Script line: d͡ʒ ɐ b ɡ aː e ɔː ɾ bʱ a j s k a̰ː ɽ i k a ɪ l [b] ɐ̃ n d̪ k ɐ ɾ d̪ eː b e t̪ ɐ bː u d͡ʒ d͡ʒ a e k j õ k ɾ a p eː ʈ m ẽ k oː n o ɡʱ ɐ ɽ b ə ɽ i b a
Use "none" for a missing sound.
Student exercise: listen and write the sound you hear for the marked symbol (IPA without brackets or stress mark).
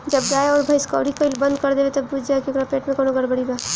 b